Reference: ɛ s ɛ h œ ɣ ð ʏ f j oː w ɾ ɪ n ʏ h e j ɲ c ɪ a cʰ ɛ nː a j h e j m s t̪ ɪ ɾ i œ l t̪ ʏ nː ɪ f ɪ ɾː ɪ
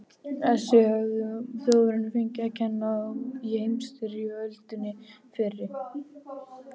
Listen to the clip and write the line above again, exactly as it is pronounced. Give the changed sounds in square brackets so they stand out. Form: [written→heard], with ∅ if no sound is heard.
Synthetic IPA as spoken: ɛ s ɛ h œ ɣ ð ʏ [f→θ] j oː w ɾ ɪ n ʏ [h→f] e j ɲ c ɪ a cʰ ɛ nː a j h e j m s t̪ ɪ ɾ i œ l t̪ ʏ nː ɪ f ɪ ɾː ɪ